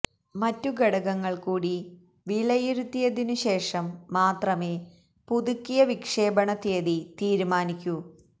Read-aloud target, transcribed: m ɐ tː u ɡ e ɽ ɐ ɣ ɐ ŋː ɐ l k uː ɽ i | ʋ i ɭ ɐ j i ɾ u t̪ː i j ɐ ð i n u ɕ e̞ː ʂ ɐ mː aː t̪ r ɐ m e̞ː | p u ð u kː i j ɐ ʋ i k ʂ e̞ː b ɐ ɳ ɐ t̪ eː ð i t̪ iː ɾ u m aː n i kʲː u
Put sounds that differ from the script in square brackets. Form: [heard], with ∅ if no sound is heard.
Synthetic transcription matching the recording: m ɐ tː u ɡ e ɽ ɐ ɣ ɐ ŋː ɐ [ɭ] k uː ɽ i | ʋ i ɭ ɐ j i ɾ u t̪ː i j ɐ ð i n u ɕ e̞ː ʂ ɐ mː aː t̪ r ɐ m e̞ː | p u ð u kː i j ɐ ʋ i k ʂ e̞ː b ɐ ɳ ɐ t̪ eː ð i t̪ iː ɾ u m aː n i kʲː u